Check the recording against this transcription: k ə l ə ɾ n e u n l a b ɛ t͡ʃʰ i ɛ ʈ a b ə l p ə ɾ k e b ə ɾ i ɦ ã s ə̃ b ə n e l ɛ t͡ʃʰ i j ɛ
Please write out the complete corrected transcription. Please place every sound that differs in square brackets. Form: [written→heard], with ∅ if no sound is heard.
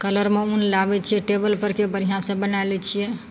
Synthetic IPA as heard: k ə l ə ɾ [n→m] e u n l a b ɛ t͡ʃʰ i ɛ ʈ [a→e] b ə l p ə ɾ k e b ə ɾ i ɦ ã s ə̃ b ə n [e→a] l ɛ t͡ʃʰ i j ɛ